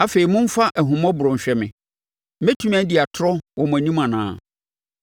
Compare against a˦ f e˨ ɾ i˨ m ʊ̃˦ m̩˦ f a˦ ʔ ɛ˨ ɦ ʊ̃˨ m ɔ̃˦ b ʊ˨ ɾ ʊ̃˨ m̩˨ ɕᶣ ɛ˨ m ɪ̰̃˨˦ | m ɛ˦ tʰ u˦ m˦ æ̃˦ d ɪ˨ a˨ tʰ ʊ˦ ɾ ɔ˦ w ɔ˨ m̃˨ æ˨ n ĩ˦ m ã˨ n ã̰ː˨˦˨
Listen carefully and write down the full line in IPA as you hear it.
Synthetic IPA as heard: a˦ f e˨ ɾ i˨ m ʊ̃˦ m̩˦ f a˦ ʔ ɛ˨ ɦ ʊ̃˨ m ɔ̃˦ b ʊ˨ ɾ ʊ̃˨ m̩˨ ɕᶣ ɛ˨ m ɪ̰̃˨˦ | m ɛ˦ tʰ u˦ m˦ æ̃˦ d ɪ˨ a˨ tʰ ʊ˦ ɾ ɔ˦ w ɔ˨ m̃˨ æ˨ n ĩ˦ m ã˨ n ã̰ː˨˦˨